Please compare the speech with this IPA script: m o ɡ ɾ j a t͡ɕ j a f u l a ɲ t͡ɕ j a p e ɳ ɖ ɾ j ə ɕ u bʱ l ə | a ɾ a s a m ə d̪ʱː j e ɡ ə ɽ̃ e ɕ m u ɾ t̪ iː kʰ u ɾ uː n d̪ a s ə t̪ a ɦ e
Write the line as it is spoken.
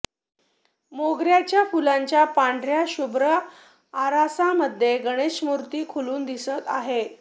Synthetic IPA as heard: m o ɡ ɾ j a t͡ɕ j a f u l a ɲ t͡ɕ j a p a ɳ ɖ ɾ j a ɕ u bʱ ɾ ə | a ɾ a s a m ə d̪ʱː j e ɡ ə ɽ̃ e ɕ m u ɾ t̪ iː kʰ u l uː n d̪ i s ə t̪ a ɦ e